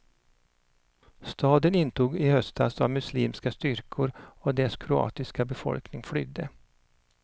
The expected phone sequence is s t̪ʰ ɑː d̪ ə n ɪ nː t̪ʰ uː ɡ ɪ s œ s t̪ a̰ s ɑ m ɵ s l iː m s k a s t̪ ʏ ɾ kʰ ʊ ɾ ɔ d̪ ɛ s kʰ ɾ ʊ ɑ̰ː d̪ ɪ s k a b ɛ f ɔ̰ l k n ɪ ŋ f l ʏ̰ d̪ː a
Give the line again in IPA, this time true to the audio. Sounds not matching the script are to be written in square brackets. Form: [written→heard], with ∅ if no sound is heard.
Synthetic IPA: s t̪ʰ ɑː d̪ ə n ɪ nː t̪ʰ uː ɡ ɪ [s→h] œ s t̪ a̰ s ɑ m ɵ s l iː m s k a s t̪ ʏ ɾ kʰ ʊ ɾ ɔ d̪ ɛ s kʰ ɾ ʊ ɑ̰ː [d̪→t̪] ɪ s k a b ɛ f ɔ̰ l k n ɪ ŋ f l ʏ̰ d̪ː [a→ə]